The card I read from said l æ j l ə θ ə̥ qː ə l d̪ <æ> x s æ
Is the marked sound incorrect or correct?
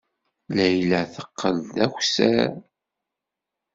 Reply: correct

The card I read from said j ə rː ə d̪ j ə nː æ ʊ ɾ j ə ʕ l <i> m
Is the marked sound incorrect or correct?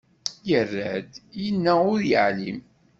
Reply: correct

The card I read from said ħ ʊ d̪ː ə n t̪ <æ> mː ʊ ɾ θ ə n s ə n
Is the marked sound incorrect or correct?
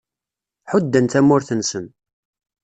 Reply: correct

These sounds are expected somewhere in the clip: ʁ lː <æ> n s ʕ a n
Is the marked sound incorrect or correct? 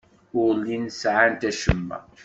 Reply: incorrect: i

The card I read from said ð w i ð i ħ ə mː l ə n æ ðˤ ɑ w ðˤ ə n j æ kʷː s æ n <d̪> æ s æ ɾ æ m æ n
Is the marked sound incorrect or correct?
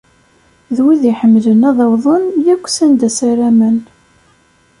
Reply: correct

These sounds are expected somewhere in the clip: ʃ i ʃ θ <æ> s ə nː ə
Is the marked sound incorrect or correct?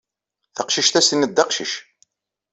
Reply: correct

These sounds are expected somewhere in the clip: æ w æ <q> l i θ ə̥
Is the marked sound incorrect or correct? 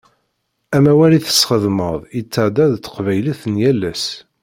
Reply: incorrect: none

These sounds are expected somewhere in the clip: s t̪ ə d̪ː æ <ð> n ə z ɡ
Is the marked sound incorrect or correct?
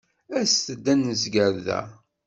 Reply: incorrect: none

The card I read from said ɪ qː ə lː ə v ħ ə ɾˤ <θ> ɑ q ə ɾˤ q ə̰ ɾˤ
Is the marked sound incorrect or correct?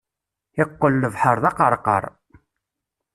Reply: incorrect: ð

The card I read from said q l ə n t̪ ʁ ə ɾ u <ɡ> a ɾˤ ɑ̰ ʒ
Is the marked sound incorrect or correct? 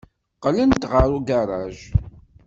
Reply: correct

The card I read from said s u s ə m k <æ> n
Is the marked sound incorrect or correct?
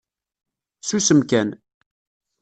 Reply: correct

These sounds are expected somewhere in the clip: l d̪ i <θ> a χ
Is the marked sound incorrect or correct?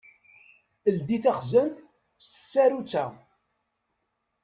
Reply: correct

